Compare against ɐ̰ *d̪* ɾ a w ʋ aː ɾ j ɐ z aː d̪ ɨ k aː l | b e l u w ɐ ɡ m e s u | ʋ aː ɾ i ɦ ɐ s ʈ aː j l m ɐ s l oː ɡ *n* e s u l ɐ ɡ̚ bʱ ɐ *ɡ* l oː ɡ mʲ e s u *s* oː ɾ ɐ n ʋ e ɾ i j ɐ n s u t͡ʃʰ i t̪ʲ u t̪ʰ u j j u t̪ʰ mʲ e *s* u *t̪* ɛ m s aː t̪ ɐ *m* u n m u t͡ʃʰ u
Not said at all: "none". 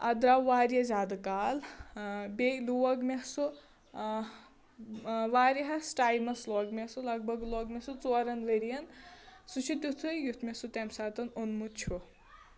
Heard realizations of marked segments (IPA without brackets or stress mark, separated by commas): d̪, m, ɡ, t͡s, s, t̪, n